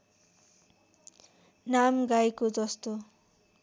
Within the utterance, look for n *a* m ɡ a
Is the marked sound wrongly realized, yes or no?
no